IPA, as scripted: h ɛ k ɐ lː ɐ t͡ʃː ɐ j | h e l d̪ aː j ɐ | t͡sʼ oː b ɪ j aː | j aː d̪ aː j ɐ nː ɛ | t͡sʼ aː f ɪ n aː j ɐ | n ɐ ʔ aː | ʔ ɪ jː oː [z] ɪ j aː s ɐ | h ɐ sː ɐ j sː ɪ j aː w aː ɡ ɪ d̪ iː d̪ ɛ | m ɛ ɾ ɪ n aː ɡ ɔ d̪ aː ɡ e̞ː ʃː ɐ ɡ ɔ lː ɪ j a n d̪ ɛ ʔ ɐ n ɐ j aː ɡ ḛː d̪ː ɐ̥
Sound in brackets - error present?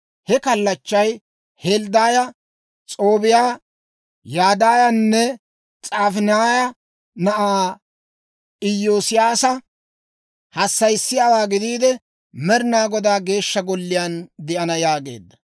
yes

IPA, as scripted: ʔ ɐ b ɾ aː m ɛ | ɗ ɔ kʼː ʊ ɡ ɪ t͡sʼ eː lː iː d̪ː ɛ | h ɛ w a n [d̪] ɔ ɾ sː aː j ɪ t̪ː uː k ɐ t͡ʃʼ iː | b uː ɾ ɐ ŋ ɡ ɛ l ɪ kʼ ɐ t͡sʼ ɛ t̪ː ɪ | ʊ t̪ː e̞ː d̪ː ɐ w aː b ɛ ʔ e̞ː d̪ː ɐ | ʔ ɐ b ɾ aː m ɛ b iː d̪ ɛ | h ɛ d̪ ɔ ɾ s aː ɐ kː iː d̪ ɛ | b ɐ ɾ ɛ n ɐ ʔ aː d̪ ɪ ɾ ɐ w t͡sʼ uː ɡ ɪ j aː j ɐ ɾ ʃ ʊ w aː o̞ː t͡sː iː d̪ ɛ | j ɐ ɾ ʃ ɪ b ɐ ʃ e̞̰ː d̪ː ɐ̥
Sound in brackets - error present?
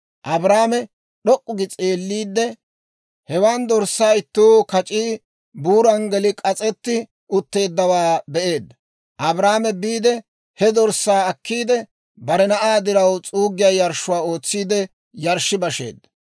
no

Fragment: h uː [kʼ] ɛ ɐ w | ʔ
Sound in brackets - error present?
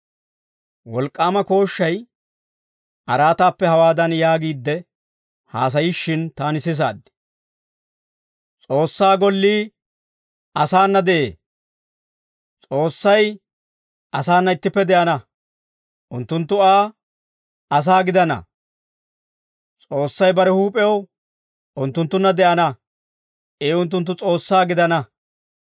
yes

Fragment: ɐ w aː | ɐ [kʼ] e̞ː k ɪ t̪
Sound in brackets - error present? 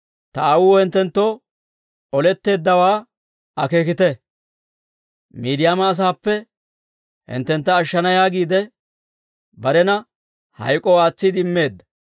yes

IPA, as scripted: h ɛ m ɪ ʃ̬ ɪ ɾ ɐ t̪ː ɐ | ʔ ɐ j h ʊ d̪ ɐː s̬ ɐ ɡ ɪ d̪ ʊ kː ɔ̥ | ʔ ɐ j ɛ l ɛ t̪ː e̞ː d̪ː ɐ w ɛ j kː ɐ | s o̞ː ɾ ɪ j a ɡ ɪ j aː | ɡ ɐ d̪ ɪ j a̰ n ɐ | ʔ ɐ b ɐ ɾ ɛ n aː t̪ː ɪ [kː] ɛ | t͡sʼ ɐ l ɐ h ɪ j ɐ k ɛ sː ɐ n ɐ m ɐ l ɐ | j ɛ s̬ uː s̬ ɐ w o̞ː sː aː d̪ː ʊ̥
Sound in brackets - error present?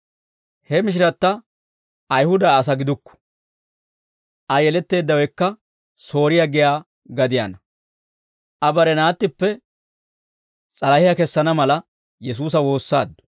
yes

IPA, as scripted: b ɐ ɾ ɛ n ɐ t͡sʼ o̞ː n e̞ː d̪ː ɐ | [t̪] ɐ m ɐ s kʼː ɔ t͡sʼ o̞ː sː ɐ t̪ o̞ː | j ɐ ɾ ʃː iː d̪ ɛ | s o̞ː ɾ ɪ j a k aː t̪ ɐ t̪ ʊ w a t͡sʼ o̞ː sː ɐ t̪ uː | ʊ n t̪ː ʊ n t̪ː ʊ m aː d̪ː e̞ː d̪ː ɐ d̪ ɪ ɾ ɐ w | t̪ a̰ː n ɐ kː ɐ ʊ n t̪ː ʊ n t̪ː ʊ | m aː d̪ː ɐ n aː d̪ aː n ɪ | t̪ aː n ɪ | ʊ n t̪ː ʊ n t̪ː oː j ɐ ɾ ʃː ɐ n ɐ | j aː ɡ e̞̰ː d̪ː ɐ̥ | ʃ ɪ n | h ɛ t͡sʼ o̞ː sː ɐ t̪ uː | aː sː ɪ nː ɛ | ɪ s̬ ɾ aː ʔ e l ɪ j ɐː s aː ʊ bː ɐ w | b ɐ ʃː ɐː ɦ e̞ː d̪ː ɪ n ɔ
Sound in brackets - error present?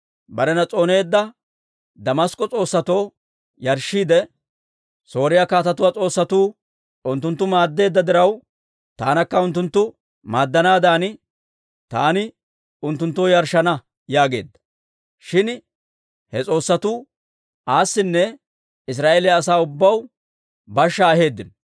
yes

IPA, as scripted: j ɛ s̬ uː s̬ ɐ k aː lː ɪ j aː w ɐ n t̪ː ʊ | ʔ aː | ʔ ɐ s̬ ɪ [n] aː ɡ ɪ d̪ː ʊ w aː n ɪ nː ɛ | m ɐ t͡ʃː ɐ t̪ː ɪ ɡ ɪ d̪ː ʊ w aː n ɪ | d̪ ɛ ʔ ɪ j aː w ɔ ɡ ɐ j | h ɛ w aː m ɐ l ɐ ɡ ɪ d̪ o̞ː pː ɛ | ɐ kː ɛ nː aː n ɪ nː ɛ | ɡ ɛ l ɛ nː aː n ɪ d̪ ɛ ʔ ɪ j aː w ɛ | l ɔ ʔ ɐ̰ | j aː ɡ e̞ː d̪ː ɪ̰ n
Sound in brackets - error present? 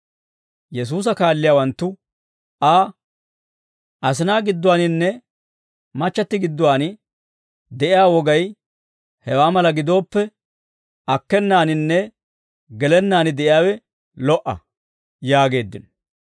no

